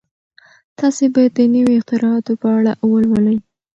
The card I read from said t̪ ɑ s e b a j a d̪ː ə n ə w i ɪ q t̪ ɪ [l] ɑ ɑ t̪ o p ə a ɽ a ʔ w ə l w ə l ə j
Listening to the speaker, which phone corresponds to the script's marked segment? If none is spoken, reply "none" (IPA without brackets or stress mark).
ɾ